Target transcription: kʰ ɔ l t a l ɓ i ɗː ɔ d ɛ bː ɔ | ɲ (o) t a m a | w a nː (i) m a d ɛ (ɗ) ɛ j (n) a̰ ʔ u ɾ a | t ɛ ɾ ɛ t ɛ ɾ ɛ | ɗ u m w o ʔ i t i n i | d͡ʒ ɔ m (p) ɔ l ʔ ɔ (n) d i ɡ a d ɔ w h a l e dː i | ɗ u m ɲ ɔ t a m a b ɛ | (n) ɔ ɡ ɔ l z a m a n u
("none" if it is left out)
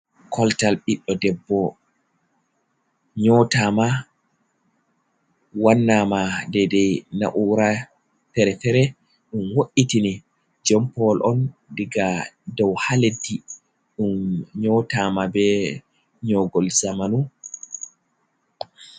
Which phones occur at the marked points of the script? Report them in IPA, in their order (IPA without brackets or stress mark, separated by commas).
ɔ, a, d, n, p, n, ɲ